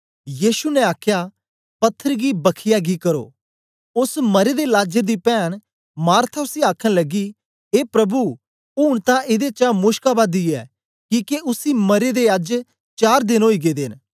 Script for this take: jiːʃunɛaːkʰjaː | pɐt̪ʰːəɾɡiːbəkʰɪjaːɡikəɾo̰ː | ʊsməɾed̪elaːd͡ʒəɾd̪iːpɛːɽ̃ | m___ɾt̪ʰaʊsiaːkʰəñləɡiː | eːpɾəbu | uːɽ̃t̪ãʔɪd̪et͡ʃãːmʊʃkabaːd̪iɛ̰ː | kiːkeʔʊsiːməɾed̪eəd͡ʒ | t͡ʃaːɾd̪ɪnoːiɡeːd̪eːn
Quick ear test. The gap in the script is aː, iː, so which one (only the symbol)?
aː